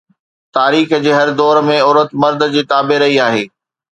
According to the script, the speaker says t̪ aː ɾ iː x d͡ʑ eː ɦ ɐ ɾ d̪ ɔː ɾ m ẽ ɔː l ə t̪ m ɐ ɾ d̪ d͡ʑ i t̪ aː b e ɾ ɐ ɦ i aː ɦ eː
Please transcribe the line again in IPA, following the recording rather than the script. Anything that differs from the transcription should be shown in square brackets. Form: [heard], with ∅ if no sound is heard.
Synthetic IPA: t̪ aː ɾ iː x d͡ʑ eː ɦ ɐ ɾ d̪ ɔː ɾ m ẽ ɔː [ɾ] ə t̪ m ɐ ɾ d̪ d͡ʑ [iː] t̪ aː b e ɾ ɐ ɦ i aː ɦ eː